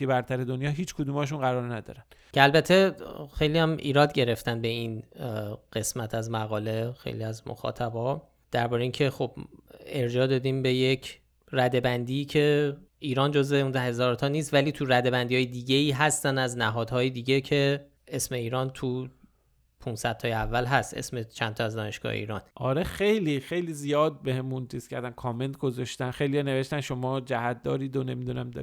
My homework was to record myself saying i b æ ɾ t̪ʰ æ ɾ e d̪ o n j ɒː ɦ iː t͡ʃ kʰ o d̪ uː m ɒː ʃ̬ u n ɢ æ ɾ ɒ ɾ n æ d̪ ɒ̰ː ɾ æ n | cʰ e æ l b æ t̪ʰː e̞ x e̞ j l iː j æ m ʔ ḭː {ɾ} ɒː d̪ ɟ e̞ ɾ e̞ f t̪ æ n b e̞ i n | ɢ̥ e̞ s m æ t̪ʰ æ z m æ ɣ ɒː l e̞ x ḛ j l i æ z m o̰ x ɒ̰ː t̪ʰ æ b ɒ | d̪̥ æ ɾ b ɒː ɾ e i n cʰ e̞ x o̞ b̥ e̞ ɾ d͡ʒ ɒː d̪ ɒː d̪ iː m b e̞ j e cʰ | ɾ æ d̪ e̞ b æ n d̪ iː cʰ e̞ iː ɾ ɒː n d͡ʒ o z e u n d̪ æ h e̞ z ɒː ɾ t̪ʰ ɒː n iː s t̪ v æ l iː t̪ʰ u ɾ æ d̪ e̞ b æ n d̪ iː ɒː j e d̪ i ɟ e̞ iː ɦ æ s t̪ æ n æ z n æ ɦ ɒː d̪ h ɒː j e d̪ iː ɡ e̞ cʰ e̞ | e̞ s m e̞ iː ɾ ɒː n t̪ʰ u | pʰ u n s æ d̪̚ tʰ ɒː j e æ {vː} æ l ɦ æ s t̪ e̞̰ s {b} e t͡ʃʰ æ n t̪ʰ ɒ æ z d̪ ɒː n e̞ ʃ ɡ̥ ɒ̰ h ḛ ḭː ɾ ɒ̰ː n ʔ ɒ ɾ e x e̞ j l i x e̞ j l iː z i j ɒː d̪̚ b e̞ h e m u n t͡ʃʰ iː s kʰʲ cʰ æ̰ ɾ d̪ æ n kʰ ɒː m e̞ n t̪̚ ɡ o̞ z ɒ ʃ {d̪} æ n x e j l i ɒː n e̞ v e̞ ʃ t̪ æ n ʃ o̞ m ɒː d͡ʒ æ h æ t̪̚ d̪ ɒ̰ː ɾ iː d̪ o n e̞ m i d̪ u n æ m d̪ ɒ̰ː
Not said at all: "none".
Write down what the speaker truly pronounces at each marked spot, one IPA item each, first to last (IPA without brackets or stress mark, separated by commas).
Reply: ɾ, vː, m, t̪